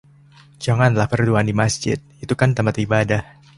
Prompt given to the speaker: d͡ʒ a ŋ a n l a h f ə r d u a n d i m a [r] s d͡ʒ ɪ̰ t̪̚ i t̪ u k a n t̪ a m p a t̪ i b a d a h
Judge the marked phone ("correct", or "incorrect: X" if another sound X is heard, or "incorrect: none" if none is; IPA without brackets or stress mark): incorrect: none